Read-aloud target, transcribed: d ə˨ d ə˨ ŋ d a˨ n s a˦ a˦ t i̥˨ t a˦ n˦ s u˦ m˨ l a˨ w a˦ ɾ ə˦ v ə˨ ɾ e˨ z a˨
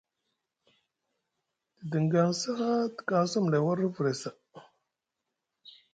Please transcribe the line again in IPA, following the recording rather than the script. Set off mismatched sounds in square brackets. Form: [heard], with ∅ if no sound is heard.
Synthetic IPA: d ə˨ d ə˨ ŋ [ɡ] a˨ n s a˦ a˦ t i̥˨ [k] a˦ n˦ s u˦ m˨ l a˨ w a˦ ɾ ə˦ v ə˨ ɾ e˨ [s] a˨